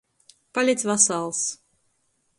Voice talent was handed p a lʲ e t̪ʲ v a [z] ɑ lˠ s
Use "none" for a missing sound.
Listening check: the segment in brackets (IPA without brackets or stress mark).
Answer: s